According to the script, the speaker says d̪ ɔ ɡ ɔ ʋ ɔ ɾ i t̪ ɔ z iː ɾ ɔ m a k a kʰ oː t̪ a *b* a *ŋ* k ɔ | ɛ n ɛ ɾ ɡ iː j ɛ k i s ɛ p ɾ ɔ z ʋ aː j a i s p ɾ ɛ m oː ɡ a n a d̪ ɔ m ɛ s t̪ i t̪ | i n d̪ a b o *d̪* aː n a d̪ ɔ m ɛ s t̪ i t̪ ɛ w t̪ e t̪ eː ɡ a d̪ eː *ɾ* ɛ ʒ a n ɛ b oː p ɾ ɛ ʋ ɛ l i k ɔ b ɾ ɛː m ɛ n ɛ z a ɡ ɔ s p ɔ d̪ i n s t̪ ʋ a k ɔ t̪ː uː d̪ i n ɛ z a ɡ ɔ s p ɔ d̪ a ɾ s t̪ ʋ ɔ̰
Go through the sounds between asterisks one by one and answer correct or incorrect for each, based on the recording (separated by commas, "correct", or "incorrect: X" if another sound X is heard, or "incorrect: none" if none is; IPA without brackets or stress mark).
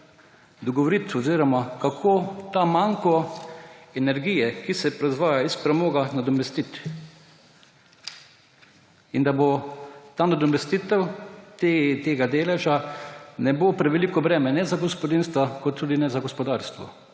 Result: incorrect: m, correct, incorrect: t̪, incorrect: l